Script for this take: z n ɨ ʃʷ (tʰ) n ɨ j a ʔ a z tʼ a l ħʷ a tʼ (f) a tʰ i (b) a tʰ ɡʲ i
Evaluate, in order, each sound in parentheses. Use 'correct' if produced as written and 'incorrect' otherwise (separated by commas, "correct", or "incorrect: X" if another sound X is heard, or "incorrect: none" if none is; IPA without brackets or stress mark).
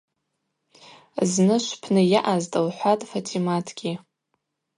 incorrect: pʰ, correct, incorrect: m